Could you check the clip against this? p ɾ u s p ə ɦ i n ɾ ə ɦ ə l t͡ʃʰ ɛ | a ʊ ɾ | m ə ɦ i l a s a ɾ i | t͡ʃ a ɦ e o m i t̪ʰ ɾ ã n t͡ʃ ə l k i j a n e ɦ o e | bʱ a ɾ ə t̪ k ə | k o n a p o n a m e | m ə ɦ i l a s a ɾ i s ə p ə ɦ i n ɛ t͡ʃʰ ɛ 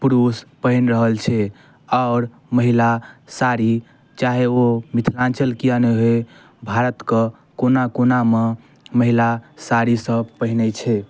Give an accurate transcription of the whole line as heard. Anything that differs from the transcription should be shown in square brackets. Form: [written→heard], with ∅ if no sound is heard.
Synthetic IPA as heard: p ɾ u s p ə ɦ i n ɾ ə ɦ ə l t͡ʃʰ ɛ | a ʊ ɾ | m ə ɦ i l a s a ɾ i | t͡ʃ a ɦ e o m i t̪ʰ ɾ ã n t͡ʃ ə l k i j a n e ɦ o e | bʱ a ɾ ə t̪ k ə | k o n a [p→k] o n a m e | m ə ɦ i l a s a ɾ i s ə p ə ɦ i n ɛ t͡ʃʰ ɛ